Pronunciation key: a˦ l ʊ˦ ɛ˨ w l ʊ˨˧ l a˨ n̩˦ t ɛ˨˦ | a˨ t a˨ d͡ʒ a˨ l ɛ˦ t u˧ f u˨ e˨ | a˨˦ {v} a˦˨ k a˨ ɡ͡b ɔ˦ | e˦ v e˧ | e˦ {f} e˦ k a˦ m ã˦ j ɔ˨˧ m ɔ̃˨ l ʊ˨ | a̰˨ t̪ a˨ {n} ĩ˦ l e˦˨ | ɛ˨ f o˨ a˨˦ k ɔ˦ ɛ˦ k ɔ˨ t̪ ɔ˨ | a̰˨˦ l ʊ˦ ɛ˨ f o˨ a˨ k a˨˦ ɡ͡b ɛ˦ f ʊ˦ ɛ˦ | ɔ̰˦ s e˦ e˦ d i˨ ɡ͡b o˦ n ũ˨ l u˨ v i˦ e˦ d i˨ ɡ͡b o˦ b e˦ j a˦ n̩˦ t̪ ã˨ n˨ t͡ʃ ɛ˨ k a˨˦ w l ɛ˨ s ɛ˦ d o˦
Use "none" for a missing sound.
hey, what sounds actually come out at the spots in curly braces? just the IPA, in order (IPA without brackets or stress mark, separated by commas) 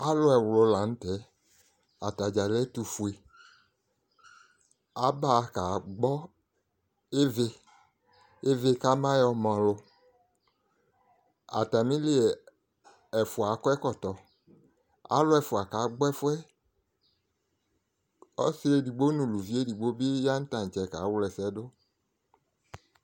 b, v, m